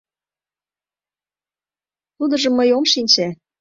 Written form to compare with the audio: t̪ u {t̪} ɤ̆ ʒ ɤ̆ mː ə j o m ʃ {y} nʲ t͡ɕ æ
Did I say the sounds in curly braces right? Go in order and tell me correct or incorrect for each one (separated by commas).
incorrect, incorrect